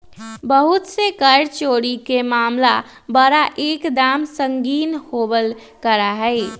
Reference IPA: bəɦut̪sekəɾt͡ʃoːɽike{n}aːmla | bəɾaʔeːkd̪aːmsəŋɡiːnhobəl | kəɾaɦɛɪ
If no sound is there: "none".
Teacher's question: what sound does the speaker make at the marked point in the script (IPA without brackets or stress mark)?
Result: m